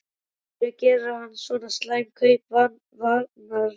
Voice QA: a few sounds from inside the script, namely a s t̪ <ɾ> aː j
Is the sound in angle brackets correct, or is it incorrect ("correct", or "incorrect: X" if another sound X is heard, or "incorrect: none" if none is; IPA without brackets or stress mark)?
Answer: incorrect: l